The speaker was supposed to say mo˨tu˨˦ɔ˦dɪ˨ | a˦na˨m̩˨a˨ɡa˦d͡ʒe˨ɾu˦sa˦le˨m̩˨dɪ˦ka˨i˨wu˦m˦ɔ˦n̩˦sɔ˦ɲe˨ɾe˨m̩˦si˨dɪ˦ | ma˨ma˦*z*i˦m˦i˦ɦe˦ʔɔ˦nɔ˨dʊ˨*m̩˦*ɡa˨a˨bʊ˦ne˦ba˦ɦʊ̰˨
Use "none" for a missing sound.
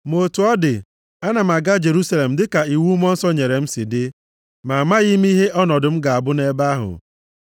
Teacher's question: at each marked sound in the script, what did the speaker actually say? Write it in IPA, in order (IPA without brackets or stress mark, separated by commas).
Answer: ɣ, m̩˦